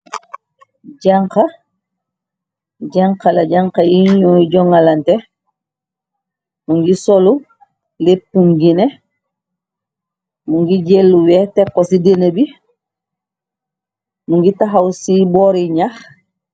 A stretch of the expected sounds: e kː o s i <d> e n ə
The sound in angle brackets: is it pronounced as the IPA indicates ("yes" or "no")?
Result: yes